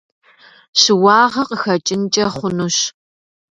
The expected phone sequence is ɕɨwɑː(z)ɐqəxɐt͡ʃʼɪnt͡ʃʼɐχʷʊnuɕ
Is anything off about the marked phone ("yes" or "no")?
yes